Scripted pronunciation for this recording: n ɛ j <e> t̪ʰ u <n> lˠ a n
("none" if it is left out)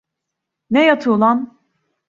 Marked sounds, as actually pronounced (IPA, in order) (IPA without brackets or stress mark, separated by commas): a, none